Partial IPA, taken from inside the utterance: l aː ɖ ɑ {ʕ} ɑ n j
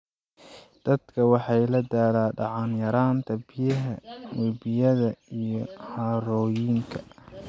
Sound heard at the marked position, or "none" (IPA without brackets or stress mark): ʕ